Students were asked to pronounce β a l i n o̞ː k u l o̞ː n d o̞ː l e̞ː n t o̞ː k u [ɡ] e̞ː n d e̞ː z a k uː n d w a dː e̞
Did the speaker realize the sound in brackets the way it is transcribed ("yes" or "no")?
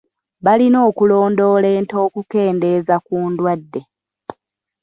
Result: no